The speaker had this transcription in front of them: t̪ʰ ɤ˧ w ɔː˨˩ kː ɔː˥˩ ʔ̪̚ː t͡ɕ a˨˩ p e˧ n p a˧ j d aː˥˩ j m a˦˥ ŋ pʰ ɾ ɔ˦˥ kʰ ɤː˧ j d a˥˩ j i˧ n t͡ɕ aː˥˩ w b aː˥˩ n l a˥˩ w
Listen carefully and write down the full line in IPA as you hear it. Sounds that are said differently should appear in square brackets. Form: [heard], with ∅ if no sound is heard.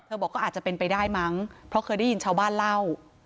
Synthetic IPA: t̪ʰ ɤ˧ [b] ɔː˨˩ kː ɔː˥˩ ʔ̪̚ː t͡ɕ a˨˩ p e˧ n p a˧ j d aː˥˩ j m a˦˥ ŋ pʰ ɾ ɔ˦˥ kʰ ɤː˧ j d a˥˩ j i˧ n [t͡ɕʰ] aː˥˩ w b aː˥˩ n l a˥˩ w